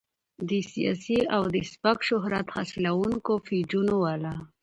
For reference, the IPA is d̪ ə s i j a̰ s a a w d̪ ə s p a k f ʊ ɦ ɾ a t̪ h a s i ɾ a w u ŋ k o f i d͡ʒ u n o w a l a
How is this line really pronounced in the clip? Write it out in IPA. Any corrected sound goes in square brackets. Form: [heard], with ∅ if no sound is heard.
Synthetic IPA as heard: d̪ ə s i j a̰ s [i] a w d̪ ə s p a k [ʃ] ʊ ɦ ɾ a t̪ h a s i [l] a w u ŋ k o f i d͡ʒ u n o w a l a